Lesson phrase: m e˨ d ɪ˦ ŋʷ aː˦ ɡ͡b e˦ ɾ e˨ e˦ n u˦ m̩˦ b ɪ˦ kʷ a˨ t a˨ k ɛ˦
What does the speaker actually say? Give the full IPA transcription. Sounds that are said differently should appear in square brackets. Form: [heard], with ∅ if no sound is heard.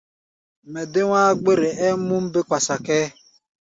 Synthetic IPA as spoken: m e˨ d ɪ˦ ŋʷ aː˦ ɡ͡b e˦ ɾ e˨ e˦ [m] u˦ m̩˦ b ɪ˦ kʷ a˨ [s] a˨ k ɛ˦